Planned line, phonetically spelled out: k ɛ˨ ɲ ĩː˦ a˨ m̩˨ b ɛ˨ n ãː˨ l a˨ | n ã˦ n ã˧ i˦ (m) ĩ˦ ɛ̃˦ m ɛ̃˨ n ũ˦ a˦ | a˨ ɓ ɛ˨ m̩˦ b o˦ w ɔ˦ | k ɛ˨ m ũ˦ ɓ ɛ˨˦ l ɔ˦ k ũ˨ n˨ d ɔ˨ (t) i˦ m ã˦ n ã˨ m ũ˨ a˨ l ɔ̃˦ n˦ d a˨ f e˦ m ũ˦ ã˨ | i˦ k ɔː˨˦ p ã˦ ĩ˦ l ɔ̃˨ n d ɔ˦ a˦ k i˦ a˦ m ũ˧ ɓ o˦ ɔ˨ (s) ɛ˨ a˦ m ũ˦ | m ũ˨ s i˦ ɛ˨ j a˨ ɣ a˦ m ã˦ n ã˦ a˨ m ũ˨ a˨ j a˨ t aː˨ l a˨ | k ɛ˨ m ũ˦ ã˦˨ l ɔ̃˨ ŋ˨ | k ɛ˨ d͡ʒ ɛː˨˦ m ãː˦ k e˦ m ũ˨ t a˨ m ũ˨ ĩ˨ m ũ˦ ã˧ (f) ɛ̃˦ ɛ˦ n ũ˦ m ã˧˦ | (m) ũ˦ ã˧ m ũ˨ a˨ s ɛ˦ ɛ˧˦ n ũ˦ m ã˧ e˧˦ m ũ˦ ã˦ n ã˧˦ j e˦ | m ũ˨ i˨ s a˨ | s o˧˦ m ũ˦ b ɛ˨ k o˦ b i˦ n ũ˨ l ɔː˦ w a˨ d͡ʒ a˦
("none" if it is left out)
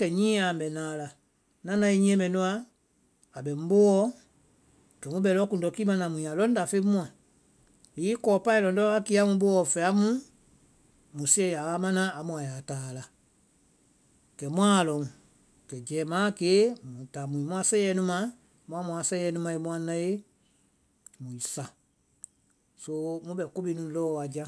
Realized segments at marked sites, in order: ɲ, k, f, s, m

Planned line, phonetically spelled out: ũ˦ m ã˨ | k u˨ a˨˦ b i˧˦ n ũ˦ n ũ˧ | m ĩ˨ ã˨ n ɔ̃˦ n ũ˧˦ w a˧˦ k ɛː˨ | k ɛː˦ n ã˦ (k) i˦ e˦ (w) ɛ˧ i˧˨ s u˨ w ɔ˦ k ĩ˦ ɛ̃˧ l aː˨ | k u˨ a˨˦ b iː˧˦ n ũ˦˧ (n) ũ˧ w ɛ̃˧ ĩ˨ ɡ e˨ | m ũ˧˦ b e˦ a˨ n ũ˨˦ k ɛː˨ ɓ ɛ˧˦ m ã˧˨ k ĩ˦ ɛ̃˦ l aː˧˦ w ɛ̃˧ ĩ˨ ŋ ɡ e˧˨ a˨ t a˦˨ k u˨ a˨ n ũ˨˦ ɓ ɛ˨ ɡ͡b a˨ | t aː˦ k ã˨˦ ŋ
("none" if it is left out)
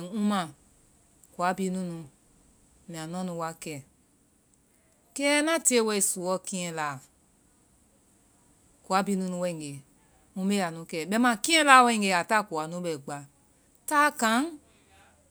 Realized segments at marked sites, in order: t, w, n

